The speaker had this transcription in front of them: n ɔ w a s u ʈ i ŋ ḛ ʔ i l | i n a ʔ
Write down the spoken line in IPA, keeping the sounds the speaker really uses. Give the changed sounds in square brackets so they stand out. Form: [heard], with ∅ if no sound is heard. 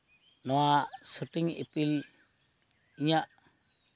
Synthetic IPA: n ɔ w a s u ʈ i ŋ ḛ [p] i l | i [ɲ] a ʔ